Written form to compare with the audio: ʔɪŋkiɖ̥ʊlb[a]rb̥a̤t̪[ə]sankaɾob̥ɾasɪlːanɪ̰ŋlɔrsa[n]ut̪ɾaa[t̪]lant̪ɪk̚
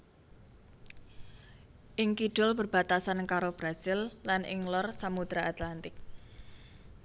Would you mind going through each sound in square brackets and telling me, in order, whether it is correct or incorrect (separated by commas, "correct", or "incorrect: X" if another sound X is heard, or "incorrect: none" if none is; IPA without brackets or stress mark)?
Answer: incorrect: ə, incorrect: a, incorrect: m, correct